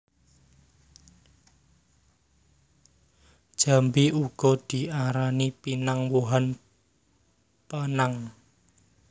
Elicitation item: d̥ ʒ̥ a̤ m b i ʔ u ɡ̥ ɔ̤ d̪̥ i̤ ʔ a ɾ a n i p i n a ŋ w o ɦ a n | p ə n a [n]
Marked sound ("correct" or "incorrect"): incorrect